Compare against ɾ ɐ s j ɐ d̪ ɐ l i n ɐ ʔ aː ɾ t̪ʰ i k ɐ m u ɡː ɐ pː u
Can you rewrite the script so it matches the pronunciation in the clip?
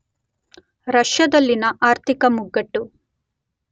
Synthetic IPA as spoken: ɾ ɐ ʂ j ɐ d̪ ɐ lː i n ɐ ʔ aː ɾ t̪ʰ i k ɐ m u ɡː ɐ ʈː u

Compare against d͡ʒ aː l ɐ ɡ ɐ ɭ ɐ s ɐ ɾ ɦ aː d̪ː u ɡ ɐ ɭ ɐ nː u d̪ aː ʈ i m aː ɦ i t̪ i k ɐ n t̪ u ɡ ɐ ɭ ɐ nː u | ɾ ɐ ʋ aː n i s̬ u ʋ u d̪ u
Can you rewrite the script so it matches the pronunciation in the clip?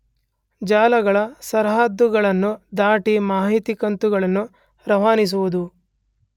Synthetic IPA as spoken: d͡ʒ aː l ɐ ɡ ɐ ɭ ɐ s ɐ ɾ ɦ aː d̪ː u ɡ ɐ ɭ ɐ nː u d̪ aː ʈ i m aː ɦ i t̪ i k ɐ n t̪ u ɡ ɐ ɭ ɐ nː u | ɾ ɐ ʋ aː n i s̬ u ʋ u d̪ u

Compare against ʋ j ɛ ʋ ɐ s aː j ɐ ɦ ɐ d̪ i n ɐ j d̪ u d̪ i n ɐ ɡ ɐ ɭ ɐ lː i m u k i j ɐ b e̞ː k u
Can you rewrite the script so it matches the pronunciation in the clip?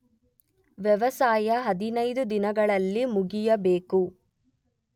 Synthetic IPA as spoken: ʋ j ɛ ʋ ɐ s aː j ɐ ɦ ɐ d̪ i n ɐ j d̪ u d̪ i n ɐ ɡ ɐ ɭ ɐ lː i m u ɡ i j ɐ b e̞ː k u

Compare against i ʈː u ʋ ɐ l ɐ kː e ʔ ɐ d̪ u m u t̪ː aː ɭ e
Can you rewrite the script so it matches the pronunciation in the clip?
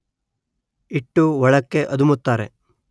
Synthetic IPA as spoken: i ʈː u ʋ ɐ ɭ ɐ kː e ʔ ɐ d̪ u m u t̪ː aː ɾ e

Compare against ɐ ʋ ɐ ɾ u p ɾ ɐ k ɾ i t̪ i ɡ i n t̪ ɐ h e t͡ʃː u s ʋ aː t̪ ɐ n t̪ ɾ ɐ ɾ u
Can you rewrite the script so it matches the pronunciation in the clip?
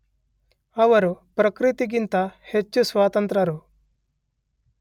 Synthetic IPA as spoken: ɐ ʋ ɐ ɾ u p ɾ ɐ k ɾ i t̪ i ɡ i n t̪ ɐ h e t͡ʃː u s ʋ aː t̪ ɐ n t̪ ɾ ɐ ɾ u

